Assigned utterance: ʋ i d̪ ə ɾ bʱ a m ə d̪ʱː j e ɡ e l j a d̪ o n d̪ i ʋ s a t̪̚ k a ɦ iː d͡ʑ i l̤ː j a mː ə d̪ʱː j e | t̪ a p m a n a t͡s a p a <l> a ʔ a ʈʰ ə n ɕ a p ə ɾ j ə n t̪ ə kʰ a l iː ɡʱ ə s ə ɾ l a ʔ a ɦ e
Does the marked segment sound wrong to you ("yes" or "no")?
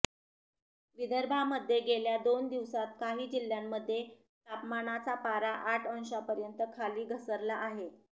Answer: yes